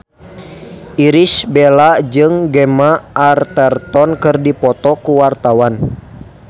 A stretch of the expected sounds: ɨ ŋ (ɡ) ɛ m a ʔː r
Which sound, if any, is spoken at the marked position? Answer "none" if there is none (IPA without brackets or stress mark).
ɡ